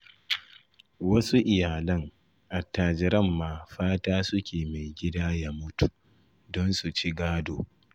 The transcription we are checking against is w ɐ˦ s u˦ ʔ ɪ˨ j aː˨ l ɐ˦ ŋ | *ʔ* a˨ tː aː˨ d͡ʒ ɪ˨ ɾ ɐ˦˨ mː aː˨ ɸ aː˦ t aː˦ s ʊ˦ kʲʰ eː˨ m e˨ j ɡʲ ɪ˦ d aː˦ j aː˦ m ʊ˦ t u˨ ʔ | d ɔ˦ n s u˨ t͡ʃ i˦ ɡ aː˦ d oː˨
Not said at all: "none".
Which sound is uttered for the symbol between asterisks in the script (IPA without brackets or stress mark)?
ʔ